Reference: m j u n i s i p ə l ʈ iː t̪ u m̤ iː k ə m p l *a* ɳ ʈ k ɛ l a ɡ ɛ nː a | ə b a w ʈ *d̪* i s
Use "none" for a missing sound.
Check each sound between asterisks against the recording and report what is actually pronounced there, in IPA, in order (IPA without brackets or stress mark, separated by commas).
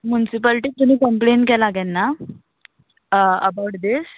e, d̪